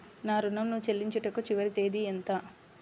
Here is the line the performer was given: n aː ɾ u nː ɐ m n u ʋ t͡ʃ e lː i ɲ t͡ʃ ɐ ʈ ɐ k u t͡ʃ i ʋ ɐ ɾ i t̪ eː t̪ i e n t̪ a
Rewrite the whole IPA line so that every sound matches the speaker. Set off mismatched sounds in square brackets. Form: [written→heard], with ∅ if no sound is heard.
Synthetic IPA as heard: n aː ɾ u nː ɐ m n u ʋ t͡ʃ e lː i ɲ t͡ʃ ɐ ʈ ɐ k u t͡ʃ i ʋ ɐ ɾ i t̪ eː [t̪→d̪] i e n t̪ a